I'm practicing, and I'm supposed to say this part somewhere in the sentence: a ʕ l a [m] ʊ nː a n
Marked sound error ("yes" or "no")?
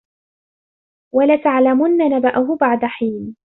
no